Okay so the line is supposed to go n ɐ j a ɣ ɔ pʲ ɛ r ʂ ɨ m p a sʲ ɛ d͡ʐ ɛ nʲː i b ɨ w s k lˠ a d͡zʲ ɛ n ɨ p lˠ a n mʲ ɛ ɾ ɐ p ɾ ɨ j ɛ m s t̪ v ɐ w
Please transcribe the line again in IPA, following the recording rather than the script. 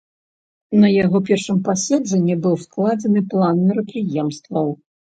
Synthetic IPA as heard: n ɐ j a ɣ ɔ pʲ ɛ r ʂ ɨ m p a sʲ ɛ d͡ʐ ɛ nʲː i b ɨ w s k lˠ a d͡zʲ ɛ n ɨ p lˠ a n mʲ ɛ ɾ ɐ p ɾ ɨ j ɛ m s t̪ v ɐ w